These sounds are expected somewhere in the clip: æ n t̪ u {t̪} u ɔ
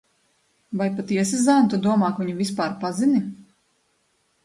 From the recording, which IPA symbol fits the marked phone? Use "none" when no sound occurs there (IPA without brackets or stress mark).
d̪